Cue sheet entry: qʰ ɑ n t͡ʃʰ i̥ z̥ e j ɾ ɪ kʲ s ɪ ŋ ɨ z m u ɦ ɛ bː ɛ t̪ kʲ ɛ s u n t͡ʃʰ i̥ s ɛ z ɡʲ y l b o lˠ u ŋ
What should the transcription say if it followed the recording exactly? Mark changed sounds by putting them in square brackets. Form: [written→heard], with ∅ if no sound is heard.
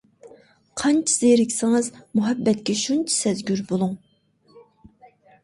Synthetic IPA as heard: qʰ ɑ n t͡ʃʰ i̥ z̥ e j ɾ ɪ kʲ s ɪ ŋ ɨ z m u ɦ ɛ bː ɛ t̪ kʲ ɛ [s→ʃ] u n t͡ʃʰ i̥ s ɛ z ɡʲ y [l→ɾ] b o lˠ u ŋ